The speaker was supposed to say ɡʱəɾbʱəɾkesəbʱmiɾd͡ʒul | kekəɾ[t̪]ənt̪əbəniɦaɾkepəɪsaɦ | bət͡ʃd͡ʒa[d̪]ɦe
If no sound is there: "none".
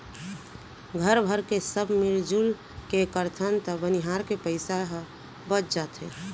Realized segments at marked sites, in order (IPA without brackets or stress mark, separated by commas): t̪ʰ, t̪